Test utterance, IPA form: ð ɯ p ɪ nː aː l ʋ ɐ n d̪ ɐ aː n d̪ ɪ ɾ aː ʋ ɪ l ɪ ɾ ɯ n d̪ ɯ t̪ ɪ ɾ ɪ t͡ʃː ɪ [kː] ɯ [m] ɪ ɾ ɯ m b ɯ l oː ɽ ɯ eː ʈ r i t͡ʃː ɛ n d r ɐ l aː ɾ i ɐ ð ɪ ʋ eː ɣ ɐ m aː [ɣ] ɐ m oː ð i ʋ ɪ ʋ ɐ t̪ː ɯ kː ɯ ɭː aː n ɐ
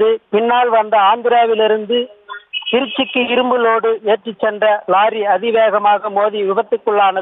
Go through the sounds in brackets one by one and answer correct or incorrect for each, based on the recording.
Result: correct, incorrect, correct

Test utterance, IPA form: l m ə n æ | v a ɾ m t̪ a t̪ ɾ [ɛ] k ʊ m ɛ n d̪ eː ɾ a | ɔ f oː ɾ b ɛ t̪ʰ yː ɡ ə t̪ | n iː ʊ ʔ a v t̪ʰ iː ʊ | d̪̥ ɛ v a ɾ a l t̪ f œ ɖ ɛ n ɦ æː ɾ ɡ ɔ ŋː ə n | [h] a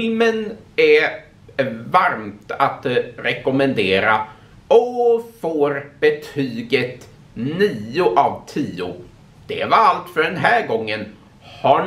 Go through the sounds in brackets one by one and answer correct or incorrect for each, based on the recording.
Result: correct, correct

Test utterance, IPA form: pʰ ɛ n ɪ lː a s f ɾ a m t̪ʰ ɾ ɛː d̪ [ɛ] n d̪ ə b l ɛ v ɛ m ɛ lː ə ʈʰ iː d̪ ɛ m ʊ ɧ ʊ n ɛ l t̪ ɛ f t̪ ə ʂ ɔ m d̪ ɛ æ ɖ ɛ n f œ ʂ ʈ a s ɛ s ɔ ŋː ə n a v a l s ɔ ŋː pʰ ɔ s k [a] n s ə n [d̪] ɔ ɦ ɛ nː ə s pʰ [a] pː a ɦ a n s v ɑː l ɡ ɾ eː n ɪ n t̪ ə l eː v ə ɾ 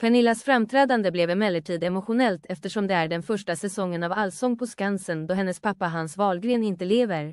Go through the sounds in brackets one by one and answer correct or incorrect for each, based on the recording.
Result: incorrect, correct, correct, correct

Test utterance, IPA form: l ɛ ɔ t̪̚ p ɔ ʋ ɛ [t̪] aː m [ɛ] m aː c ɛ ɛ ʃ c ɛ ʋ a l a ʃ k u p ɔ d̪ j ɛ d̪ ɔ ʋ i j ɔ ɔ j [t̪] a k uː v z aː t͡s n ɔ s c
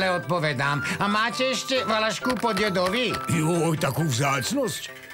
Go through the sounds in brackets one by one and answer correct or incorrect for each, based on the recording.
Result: incorrect, incorrect, correct

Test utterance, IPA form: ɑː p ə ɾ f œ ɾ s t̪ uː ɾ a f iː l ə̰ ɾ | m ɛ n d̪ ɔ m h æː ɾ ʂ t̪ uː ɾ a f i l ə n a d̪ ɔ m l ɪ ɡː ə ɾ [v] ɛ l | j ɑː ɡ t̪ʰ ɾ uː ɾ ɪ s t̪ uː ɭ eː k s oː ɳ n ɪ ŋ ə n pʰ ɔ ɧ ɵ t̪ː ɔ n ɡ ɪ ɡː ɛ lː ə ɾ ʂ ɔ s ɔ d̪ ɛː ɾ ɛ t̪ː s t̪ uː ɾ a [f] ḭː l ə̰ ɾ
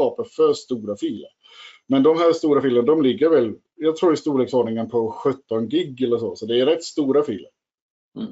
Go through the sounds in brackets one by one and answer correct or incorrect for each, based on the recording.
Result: correct, correct

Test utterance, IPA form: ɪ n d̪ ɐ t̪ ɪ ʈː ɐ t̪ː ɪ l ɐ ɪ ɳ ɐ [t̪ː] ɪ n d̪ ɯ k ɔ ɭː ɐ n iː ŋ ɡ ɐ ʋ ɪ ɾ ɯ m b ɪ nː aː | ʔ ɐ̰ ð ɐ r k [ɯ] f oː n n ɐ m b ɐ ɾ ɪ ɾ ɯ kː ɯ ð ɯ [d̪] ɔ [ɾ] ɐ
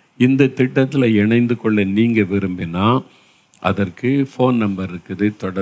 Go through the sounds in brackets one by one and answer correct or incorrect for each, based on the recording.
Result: incorrect, correct, incorrect, incorrect

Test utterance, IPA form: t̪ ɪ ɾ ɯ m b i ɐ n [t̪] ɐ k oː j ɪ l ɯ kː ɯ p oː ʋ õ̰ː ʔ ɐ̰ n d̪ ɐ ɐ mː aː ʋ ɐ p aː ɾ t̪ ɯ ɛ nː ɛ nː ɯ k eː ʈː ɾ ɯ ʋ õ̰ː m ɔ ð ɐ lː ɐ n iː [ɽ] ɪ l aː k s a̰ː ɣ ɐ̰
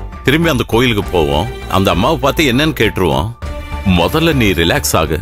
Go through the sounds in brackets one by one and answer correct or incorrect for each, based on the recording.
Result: incorrect, incorrect

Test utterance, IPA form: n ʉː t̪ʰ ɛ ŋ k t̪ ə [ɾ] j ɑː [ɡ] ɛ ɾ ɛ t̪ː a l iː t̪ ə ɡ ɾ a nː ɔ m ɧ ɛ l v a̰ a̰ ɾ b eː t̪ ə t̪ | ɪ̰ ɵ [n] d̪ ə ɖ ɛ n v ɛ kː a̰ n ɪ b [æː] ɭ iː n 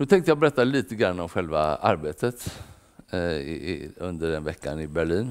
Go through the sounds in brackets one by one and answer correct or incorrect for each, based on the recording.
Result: incorrect, incorrect, correct, incorrect

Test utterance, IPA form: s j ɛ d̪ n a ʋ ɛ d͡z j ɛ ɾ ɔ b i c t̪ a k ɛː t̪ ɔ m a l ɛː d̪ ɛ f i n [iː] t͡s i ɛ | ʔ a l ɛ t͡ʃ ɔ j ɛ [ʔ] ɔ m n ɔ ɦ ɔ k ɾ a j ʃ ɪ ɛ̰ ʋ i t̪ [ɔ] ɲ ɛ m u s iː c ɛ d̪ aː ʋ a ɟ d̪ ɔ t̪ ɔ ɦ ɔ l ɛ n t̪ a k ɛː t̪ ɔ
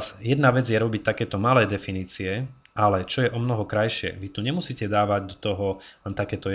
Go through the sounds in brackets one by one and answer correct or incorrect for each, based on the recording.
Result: correct, correct, incorrect

